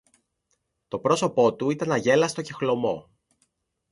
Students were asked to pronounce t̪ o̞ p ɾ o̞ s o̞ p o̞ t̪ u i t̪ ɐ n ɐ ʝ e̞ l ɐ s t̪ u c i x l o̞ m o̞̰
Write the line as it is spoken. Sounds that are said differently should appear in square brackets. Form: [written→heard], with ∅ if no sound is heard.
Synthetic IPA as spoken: t̪ o̞ p ɾ o̞ s o̞ p o̞ t̪ u i t̪ ɐ n ɐ ʝ e̞ l ɐ s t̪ [u→o] c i x l o̞ m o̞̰